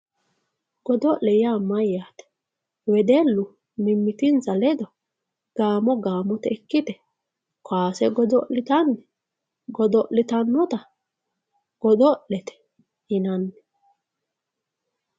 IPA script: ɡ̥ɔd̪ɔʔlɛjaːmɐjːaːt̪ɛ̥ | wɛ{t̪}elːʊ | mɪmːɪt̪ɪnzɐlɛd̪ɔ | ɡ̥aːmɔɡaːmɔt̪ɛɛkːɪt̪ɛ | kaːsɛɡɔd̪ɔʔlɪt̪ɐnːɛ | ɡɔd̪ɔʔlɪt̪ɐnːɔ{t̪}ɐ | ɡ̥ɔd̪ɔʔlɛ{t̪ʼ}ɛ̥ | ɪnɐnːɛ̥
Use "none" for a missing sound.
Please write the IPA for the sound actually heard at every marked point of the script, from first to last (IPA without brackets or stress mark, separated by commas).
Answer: d̪, t̪, t̪